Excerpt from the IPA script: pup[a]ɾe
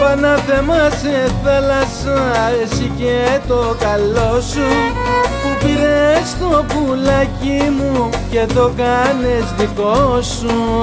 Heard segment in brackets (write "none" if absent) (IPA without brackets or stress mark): i